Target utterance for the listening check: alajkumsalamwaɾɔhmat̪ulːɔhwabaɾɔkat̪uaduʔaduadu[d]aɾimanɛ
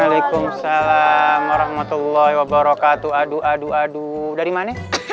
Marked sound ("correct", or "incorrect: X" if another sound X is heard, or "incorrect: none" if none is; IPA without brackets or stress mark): correct